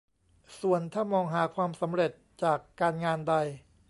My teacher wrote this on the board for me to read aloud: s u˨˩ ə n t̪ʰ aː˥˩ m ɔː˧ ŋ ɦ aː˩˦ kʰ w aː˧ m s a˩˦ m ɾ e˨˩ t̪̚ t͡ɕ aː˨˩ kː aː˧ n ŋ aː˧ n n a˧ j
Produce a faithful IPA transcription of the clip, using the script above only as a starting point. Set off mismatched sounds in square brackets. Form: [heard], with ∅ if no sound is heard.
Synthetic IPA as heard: s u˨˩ ə n t̪ʰ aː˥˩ m ɔː˧ ŋ ɦ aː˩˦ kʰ w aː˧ m s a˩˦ m ɾ e˨˩ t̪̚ t͡ɕ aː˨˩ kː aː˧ n ŋ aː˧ n [d] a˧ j